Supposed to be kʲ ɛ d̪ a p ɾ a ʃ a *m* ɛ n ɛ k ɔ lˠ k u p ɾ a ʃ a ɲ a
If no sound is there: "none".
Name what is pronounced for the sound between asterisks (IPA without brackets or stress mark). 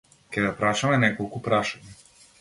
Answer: m